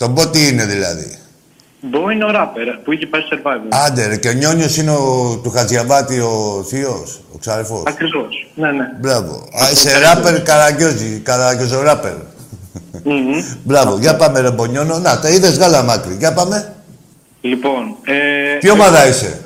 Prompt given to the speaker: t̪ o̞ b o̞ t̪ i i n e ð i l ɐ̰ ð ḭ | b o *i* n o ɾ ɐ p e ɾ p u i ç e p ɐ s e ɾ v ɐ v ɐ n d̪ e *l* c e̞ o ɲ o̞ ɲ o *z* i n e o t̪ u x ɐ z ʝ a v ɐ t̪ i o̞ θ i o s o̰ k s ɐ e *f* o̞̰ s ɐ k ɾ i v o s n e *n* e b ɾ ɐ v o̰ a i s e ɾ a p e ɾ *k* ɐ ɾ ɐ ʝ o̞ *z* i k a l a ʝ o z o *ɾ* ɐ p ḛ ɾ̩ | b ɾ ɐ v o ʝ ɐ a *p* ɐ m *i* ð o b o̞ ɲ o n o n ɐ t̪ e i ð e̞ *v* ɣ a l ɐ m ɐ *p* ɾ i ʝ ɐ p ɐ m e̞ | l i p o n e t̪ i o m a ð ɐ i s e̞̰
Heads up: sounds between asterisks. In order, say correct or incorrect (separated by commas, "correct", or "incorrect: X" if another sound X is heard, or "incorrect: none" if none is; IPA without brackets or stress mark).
correct, incorrect: ɾ, incorrect: s, correct, correct, correct, correct, correct, correct, incorrect: e, incorrect: z, incorrect: k